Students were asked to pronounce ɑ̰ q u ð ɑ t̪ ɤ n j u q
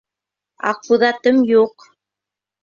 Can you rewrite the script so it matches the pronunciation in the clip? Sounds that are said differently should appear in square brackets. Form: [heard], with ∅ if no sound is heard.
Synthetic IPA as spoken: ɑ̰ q u ð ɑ t̪ ɤ [m] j u q

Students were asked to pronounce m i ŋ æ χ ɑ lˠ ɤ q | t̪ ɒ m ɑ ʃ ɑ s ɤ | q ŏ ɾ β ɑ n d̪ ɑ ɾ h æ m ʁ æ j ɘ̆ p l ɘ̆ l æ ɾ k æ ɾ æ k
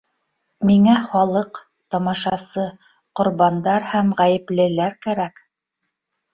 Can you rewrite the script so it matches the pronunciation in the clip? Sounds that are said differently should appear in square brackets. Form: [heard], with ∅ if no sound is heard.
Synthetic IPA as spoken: m i ŋ æ χ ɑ lˠ ɤ q | t̪ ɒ m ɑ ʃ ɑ s ɤ | q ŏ ɾ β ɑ n d̪ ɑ ɾ h æ m ʁ æ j ɘ̆ p l ɘ̆ l æ ɾ k æ ɾ æ k

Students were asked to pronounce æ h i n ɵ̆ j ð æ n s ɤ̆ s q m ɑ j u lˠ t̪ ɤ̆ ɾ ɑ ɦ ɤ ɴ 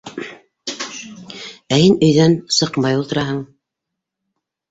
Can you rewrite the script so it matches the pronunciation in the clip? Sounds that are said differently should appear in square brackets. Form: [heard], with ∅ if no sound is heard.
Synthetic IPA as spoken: æ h i n ɵ̆ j ð æ n s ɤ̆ [∅] q m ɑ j u lˠ t̪ ɤ̆ ɾ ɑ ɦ ɤ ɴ

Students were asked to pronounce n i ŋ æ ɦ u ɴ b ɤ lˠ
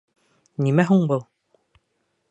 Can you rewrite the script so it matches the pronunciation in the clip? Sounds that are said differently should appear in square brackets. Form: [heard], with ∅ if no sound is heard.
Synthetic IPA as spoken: n i [m] æ ɦ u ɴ b ɤ lˠ

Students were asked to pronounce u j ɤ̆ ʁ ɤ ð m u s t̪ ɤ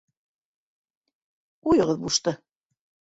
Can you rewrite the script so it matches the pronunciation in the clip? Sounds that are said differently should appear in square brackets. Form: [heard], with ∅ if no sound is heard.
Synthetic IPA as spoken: u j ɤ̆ ʁ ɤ ð [b] u [ʃ] t̪ ɤ

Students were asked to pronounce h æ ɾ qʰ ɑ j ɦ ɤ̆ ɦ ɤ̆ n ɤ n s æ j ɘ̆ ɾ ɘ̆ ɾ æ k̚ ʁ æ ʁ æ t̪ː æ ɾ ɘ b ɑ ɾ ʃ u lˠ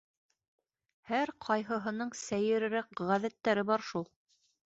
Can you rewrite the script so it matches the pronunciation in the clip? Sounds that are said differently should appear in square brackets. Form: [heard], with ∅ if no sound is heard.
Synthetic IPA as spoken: h æ ɾ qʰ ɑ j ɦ ɤ̆ ɦ ɤ̆ n ɤ [ɴ] s æ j ɘ̆ ɾ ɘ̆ ɾ æ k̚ ʁ æ [ð] æ t̪ː æ ɾ ɘ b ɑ ɾ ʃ u lˠ

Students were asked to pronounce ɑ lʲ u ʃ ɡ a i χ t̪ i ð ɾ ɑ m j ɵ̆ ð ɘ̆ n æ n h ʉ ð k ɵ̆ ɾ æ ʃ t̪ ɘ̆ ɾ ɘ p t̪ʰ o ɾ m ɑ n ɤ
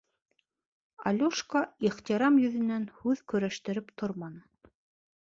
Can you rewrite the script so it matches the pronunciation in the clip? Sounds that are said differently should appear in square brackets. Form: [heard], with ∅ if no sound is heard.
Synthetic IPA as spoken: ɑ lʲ u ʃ [k] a i χ t̪ i [∅] ɾ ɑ m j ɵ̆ ð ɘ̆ n æ n h ʉ ð k ɵ̆ ɾ æ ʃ t̪ ɘ̆ ɾ ɘ p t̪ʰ o ɾ m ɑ n ɤ

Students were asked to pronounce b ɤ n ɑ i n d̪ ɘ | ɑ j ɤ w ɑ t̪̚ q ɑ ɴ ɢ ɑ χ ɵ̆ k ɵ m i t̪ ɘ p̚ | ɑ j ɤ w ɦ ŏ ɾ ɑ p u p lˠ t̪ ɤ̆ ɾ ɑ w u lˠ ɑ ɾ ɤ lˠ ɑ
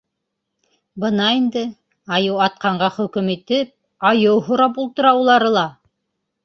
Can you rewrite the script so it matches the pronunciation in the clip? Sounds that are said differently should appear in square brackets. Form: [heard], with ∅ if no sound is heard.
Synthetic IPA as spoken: b ɤ n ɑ i n d̪ ɘ | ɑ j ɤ w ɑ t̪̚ q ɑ ɴ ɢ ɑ χ ɵ̆ k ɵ m i t̪ ɘ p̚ | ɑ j ɤ w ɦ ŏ ɾ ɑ p u [∅] lˠ t̪ ɤ̆ ɾ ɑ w u lˠ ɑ ɾ ɤ lˠ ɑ

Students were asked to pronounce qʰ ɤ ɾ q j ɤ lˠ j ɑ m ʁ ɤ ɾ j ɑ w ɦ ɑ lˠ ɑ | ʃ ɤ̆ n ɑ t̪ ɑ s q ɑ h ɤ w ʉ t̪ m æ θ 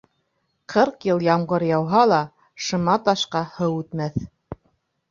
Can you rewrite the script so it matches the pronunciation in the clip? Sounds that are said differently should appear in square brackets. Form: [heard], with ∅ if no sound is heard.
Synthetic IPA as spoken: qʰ ɤ ɾ q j ɤ lˠ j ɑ m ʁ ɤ ɾ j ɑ w ɦ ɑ lˠ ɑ | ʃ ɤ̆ [m] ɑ t̪ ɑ [ʃ] q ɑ h ɤ w ʉ t̪ m æ θ

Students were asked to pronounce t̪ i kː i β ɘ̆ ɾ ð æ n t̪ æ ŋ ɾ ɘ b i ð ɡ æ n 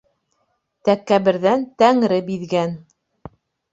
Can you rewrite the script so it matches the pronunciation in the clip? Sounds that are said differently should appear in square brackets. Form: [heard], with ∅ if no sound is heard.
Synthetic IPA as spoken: t̪ [æ] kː [æ] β ɘ̆ ɾ ð æ n t̪ æ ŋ ɾ ɘ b i ð ɡ æ n

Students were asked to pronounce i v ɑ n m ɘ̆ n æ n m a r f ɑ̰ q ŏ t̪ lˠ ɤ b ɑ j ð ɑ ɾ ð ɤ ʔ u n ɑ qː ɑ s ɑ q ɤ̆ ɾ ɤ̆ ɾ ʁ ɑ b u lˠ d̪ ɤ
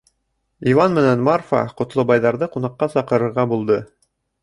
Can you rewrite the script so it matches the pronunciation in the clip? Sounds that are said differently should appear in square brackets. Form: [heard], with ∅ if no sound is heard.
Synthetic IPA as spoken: i v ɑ n m ɘ̆ n æ n m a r f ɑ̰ q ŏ t̪ lˠ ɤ b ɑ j ð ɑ ɾ ð ɤ [q] u n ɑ qː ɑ s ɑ q ɤ̆ ɾ ɤ̆ ɾ ʁ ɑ b u lˠ d̪ ɤ

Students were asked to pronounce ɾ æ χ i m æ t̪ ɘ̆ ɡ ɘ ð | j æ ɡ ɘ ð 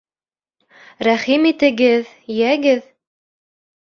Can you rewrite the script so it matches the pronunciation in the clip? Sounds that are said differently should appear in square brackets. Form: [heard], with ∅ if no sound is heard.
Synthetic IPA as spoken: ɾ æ χ i m [i] t̪ ɘ̆ ɡ ɘ ð | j æ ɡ ɘ ð

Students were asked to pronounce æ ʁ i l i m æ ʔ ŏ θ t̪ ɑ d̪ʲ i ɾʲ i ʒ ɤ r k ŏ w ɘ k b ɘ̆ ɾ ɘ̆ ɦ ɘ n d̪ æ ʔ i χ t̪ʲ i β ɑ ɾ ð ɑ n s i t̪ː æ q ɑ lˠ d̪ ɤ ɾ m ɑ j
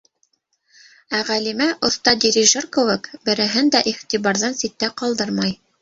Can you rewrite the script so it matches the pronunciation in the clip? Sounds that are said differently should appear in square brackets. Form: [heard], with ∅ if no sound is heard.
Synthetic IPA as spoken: æ ʁ [æ] l i m æ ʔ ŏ θ t̪ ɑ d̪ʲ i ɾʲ i ʒ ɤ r k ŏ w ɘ k b ɘ̆ ɾ ɘ̆ ɦ ɘ n d̪ æ ʔ i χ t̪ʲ i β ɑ ɾ ð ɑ n s i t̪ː æ q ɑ lˠ d̪ ɤ ɾ m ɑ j

